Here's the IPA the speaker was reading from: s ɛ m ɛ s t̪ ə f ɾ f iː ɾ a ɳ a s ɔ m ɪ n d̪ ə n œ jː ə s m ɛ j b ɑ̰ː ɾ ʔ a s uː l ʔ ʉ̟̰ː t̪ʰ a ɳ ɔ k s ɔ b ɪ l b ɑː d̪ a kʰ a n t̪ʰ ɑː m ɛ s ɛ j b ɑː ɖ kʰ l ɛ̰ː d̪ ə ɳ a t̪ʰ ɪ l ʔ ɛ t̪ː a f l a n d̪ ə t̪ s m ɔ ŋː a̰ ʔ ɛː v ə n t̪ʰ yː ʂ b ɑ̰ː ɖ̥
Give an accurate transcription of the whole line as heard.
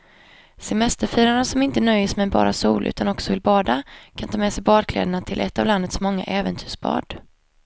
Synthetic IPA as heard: s ɛ m ɛ s t̪ ə ɾ f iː ɾ a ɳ a s ɔ m ɪ n t̪ ə n œ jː ə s m ɛ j b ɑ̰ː ɾ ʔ a s uː l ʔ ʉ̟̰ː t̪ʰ a n ɔ k s ɔ v ɪ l b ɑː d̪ a kʰ a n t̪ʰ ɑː m ɛ s ɛ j b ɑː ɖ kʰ l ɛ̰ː d̪ ə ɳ a t̪ʰ ɪ l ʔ ɛ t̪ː a v l a n d̪ ə t̪ s m ɔ ŋː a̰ ʔ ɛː v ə n t̪ʰ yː ʂ b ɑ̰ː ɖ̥